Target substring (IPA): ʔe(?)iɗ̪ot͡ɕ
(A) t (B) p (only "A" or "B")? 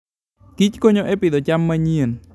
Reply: B